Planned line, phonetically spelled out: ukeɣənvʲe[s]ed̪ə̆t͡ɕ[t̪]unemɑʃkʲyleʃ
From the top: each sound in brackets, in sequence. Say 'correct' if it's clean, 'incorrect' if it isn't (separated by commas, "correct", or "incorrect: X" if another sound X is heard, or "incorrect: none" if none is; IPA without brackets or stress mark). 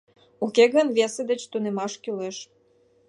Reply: correct, correct